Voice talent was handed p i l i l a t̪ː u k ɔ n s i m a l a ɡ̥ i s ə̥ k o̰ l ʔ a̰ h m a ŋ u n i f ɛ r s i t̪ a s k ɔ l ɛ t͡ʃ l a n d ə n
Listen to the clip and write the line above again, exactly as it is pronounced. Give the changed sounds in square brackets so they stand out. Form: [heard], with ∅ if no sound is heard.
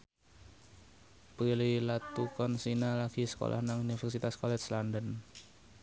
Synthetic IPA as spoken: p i l i l a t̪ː u k ɔ n s i [n] a l a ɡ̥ i s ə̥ k o̰ l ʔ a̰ h [n] a ŋ u n i f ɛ r s i t̪ a s k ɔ l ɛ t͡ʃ l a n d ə n

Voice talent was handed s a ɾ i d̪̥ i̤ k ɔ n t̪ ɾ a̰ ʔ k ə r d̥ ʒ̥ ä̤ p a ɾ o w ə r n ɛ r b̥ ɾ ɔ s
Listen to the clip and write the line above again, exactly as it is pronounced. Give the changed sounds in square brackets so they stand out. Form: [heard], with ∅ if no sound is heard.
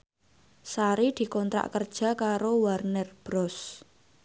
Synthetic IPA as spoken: s a ɾ i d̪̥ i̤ k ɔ n t̪ ɾ a̰ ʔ k ə r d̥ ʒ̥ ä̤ [k] a ɾ o w [a] r n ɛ r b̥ ɾ ɔ s

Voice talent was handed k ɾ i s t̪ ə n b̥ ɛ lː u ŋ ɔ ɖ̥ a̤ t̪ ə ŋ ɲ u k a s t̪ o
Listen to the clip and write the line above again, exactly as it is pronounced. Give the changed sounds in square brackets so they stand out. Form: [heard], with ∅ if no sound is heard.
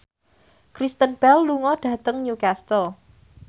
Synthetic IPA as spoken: k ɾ i s t̪ ə n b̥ ɛ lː u ŋ ɔ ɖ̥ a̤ t̪ ə ŋ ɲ u k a s t̪ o

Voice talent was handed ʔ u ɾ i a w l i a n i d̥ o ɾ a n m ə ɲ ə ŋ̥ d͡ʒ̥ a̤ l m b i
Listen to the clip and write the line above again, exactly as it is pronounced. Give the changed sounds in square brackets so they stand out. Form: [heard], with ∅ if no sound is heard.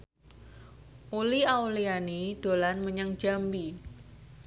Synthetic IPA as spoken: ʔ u [l] i a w l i a n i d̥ o [l] a n m ə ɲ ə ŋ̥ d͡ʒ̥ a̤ [∅] m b i

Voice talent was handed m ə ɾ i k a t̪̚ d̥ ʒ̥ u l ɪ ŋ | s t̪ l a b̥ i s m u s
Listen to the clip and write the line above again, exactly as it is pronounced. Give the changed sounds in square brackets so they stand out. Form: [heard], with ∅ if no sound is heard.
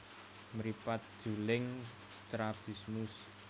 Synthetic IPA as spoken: m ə ɾ i [p] a t̪̚ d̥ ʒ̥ u l ɪ ŋ | s t̪ [ɾ] a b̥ i s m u s

